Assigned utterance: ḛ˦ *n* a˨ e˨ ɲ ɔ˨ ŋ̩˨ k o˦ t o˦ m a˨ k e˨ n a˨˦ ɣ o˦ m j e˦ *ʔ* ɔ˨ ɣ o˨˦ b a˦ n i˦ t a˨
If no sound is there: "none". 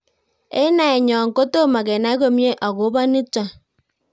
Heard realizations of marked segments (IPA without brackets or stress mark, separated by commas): n, ʔ